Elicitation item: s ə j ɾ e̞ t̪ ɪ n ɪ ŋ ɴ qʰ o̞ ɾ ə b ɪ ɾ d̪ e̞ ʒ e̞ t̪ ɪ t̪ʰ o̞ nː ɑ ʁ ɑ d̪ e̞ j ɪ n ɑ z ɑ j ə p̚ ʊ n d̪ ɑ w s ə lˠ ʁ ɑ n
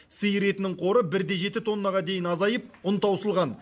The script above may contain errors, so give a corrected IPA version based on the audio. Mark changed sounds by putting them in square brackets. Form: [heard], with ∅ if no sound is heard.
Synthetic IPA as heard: s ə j ɾ e̞ t̪ ɪ n ɪ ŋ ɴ qʰ o̞ ɾ ə b ɪ ɾ d̪ e̞ ʒ e̞ t̪ ɪ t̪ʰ o̞ nː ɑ ʁ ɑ d̪ e̞ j ɪ n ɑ z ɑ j ə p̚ ʊ n [t̪] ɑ w s ə lˠ ʁ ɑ n